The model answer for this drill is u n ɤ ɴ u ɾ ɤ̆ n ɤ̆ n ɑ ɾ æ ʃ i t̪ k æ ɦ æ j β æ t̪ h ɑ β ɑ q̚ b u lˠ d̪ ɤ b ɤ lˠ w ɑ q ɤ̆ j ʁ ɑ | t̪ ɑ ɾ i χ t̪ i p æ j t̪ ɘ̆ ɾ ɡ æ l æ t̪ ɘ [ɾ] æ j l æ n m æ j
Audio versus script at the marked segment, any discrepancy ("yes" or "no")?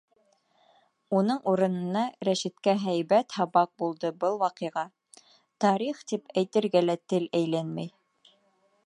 yes